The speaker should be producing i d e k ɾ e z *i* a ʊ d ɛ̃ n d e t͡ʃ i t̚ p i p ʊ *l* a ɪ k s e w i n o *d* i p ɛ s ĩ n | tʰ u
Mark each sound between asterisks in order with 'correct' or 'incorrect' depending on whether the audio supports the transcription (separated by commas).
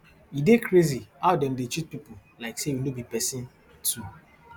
correct, correct, incorrect